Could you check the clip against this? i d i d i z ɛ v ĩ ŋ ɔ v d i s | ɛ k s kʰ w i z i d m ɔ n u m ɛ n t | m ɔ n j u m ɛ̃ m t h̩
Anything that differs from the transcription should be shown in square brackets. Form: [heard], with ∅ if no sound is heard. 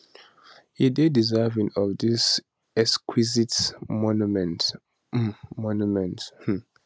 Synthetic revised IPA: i d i d i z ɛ v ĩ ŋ ɔ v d i s | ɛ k s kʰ w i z i [t] m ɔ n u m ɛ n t | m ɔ n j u m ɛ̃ [n] t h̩

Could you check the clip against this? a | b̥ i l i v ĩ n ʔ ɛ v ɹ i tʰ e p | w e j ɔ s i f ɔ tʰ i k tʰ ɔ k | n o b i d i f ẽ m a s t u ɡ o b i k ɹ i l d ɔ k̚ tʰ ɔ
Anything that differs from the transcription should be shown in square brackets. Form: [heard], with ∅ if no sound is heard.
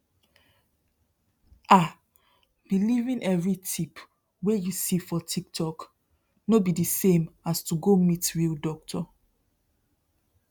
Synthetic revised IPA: a | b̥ i l i v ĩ n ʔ ɛ v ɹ i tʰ [i] p | w e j [u] s i f ɔ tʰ i k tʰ ɔ k | n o b i d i [s] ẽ m a s t u ɡ o [m] i [t] ɹ i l d ɔ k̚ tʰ ɔ

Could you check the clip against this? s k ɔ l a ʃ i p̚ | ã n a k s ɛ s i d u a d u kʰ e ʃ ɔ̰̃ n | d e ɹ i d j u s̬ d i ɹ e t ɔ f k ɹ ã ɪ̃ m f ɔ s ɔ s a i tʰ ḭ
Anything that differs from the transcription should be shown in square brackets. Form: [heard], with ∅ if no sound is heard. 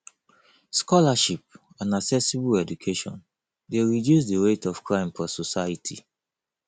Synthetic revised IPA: s k ɔ l a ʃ i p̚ | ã n a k s ɛ s i [b] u [ɛ] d u kʰ e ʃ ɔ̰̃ n | d e ɹ i d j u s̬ d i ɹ e t ɔ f k ɹ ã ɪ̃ m f ɔ s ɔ s a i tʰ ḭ

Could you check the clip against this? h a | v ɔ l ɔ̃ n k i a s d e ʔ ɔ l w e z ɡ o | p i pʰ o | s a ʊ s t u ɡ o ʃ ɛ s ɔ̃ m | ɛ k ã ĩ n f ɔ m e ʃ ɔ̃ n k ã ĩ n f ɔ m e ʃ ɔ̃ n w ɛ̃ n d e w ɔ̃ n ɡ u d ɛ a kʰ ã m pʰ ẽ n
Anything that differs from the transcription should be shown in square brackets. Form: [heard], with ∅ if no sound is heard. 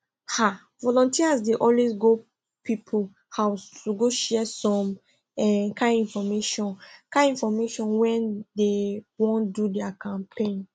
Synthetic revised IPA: h a | v ɔ l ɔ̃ n [t] i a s d e ʔ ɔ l w e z ɡ o | p i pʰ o | [h] a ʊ s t u ɡ o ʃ ɛ s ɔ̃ m | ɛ k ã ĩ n f ɔ m e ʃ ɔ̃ n k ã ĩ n f ɔ m e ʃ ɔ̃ n w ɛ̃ n d e w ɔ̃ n [d] u d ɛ a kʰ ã m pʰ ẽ n

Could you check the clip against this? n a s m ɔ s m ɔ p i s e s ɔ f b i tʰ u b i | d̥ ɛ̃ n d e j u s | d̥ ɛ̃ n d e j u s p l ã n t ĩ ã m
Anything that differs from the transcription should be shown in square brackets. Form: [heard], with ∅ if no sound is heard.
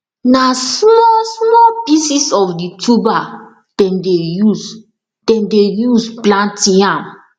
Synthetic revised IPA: n a s m ɔ s m ɔ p i s [i] s ɔ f [d] i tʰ u b [a] | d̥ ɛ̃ n d e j u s | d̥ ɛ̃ n d e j u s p l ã n t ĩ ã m

